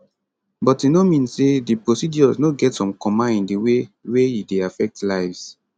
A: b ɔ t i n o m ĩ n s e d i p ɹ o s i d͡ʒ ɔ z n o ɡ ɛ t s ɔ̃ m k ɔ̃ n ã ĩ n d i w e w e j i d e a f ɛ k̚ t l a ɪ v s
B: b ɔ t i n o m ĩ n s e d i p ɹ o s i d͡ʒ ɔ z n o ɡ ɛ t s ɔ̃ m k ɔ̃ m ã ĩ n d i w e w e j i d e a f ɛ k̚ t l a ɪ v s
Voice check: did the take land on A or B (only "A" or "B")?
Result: B